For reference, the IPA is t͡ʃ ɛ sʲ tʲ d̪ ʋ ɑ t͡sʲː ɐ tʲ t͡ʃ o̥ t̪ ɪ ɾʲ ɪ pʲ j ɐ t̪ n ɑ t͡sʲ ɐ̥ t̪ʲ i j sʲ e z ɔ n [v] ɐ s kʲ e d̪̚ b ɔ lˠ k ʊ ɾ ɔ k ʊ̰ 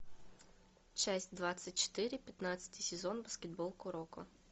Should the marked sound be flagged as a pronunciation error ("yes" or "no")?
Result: yes